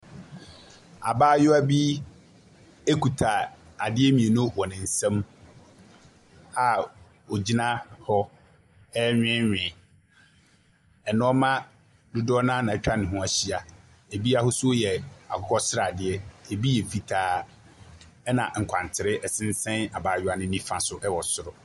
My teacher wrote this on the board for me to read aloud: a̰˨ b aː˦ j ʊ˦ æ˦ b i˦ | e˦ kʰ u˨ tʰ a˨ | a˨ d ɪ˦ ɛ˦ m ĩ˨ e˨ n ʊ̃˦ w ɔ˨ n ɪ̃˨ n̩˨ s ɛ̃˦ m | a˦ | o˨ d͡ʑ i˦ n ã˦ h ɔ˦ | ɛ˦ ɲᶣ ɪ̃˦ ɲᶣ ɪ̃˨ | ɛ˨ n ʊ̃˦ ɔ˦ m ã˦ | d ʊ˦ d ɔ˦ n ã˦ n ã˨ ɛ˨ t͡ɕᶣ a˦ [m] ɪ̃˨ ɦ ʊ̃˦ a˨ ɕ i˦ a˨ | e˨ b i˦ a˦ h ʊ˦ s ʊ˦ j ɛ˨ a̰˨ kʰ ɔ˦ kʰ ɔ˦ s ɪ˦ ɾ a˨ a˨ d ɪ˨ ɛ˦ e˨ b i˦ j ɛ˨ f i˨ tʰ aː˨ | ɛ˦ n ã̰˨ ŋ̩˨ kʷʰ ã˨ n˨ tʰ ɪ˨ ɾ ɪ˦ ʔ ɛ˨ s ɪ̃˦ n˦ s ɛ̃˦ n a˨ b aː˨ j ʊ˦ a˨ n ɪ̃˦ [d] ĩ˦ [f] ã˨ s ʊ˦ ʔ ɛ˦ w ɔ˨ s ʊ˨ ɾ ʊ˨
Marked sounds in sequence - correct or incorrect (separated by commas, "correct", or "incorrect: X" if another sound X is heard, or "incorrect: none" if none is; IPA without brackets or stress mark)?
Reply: incorrect: n, incorrect: n, correct